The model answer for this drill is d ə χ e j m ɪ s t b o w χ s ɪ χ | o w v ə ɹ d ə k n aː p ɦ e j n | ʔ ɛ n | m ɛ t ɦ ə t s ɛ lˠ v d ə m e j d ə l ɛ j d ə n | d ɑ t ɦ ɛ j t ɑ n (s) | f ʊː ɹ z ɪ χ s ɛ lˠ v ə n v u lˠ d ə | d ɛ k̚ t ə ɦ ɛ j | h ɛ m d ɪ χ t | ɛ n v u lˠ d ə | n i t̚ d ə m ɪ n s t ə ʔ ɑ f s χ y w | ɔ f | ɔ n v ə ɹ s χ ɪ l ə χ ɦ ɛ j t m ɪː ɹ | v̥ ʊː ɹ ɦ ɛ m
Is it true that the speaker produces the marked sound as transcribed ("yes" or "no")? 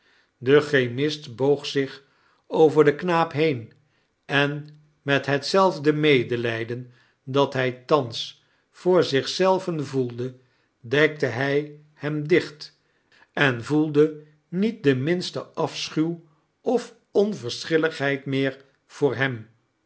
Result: yes